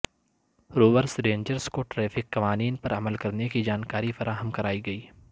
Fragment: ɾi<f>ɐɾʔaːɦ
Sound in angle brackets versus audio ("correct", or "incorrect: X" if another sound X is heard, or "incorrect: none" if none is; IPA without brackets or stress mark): correct